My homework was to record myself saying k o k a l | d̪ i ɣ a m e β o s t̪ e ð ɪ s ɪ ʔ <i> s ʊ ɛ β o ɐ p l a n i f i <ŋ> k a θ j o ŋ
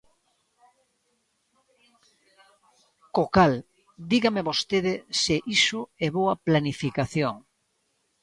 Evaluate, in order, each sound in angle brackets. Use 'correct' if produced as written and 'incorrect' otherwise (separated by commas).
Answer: correct, incorrect